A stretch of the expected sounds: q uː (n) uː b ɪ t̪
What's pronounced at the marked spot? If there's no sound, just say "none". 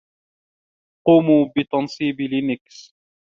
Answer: m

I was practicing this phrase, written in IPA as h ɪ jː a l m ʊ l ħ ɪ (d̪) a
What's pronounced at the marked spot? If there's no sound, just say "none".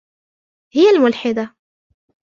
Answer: d̪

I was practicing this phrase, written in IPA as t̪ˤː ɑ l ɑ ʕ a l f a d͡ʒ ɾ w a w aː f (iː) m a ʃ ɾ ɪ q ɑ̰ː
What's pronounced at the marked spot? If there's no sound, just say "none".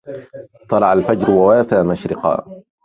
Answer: aː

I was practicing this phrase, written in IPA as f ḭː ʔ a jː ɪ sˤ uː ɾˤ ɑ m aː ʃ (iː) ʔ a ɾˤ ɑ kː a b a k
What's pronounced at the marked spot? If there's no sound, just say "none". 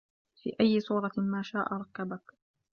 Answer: aː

